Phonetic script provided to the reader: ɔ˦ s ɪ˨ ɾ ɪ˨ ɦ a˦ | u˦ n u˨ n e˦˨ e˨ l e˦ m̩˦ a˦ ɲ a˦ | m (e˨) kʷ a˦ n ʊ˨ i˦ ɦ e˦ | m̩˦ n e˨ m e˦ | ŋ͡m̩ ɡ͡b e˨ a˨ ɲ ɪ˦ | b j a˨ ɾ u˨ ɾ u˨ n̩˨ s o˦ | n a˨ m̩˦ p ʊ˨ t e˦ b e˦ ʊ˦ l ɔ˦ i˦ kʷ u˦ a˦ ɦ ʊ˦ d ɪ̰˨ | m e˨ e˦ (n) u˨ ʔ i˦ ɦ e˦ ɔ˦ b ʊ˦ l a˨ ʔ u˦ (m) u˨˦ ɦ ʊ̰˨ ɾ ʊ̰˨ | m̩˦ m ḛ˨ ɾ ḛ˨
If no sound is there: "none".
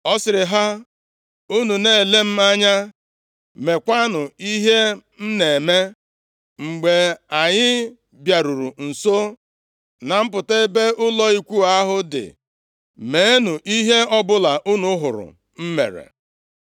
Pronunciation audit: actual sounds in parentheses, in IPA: e˨, n, n

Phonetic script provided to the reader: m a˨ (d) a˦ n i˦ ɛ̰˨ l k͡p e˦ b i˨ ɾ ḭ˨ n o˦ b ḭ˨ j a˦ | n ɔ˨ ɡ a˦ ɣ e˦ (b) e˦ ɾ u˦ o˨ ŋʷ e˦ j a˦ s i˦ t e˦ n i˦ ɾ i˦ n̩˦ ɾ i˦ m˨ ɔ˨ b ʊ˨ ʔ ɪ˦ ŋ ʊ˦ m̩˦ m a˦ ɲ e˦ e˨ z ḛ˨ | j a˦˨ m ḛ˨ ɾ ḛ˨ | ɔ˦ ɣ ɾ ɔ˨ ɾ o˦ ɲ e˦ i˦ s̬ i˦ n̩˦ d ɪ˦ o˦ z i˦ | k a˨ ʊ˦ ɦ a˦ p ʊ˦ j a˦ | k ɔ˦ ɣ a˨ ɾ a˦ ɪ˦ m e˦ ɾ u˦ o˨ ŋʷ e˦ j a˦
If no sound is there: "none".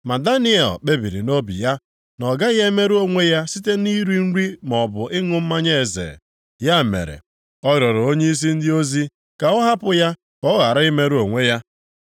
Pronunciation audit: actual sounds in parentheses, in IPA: d, m

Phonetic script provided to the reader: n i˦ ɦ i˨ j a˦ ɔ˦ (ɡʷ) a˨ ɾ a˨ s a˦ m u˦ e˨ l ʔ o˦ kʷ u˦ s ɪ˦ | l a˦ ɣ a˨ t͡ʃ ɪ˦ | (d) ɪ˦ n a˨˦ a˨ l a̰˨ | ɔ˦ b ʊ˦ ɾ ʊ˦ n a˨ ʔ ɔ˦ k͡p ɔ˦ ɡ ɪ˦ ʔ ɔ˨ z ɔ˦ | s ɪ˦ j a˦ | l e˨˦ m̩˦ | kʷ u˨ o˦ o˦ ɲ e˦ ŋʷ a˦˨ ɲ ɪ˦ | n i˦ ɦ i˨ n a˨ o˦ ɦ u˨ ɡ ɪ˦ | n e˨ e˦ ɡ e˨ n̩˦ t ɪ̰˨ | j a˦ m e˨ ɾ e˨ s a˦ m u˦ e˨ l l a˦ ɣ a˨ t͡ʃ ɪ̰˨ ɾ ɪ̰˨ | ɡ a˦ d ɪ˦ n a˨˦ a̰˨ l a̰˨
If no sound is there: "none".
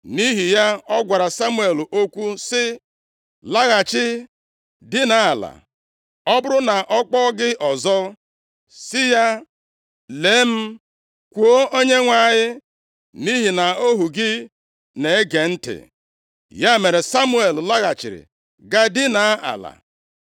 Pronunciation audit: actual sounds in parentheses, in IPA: ɡʷ, d

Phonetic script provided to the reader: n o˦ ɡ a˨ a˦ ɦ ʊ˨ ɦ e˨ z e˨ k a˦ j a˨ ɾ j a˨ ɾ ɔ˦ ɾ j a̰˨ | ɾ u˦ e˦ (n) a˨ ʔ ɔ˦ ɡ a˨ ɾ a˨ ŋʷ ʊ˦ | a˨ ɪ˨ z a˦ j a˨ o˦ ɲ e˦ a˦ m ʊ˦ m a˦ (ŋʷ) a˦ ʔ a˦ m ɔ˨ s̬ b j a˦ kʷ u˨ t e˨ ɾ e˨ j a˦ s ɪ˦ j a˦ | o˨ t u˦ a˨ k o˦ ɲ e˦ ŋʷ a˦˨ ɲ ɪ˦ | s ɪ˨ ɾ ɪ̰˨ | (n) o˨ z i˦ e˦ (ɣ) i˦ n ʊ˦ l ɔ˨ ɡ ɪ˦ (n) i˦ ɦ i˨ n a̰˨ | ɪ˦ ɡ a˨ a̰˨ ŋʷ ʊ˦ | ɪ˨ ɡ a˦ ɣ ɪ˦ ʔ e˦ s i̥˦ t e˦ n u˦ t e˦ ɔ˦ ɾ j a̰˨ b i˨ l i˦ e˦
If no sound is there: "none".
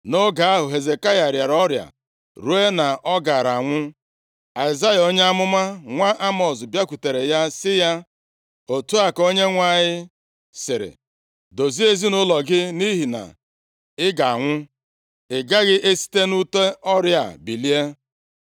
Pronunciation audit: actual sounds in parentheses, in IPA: n, ŋʷ, d, z, n

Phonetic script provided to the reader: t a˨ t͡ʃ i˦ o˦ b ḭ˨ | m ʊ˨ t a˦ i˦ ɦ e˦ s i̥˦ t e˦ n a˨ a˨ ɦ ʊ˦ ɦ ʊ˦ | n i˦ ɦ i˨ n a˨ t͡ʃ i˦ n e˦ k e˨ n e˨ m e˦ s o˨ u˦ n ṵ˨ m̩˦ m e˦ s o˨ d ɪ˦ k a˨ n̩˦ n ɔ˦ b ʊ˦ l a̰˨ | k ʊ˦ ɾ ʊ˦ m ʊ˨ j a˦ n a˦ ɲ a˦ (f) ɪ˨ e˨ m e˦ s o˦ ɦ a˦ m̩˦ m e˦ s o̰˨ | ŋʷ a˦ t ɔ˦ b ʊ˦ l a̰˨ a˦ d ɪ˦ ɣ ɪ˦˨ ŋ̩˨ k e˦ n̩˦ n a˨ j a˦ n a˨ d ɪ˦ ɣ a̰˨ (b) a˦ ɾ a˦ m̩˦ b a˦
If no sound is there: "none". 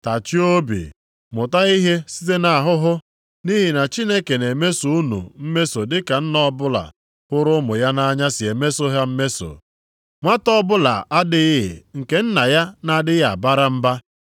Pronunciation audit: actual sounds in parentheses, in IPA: s, b

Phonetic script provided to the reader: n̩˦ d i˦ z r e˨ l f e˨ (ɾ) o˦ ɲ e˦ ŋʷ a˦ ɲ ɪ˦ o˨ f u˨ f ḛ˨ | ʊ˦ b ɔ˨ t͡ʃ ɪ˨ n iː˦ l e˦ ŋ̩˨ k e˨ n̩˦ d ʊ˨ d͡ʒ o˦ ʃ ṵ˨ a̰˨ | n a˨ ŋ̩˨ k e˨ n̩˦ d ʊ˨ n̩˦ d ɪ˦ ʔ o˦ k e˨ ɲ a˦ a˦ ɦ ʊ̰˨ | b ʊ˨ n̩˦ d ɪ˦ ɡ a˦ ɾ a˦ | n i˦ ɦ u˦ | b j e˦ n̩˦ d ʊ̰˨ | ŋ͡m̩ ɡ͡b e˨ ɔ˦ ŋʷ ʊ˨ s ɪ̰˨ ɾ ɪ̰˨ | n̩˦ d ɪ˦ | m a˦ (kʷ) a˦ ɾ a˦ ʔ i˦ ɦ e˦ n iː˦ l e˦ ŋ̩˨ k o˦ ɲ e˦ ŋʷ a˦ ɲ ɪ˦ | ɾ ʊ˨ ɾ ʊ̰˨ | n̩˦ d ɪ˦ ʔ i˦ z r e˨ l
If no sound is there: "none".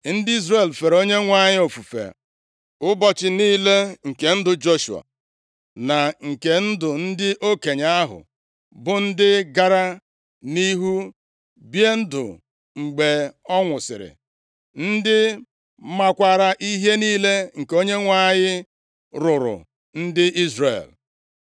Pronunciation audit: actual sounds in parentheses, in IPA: ɾ, kʷ

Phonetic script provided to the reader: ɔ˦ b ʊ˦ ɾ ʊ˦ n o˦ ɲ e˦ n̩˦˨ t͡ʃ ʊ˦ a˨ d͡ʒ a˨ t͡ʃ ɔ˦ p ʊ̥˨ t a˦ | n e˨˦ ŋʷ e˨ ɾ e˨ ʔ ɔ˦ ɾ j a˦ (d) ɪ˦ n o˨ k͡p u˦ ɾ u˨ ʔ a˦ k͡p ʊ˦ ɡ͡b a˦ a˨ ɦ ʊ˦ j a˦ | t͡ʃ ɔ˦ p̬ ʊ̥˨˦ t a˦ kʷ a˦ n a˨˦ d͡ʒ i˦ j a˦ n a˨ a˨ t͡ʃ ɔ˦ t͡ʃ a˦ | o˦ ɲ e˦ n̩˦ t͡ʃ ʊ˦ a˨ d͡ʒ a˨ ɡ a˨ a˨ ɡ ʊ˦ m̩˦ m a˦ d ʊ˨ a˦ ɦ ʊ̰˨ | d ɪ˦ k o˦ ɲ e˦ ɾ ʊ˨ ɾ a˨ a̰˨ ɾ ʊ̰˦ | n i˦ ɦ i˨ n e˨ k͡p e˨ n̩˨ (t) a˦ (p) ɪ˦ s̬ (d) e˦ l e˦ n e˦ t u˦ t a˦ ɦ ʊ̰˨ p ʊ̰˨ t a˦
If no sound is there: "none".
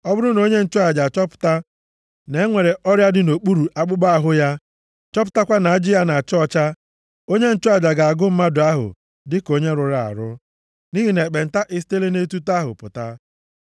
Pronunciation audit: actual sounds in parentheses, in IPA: d, t, ʔ, t

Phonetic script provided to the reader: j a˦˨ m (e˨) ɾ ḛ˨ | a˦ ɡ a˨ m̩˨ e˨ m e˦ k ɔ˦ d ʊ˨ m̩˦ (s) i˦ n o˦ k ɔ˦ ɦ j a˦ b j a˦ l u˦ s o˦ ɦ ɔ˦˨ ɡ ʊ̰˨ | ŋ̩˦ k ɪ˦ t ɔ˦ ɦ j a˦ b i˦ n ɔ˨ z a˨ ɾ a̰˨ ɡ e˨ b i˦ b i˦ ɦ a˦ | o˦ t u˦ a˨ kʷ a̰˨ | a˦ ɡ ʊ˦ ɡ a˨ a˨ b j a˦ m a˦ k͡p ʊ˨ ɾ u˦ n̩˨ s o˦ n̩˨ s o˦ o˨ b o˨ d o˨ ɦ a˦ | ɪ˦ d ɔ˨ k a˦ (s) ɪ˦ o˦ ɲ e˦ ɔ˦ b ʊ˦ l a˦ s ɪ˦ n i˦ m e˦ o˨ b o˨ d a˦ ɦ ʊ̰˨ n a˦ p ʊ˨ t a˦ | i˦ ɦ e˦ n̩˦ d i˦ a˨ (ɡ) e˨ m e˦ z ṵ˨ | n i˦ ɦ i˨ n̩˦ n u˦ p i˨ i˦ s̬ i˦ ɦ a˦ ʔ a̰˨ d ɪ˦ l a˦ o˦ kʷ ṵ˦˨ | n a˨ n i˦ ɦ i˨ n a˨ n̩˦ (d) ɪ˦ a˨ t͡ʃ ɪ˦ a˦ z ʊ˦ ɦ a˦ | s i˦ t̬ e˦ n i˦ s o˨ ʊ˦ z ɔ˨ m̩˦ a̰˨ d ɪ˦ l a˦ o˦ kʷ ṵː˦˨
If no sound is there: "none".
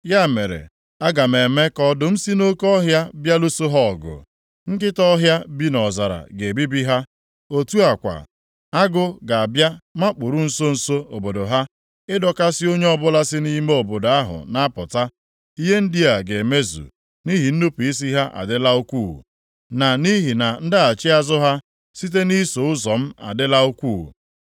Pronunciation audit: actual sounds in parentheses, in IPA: e˨, s, s, ɡ, d

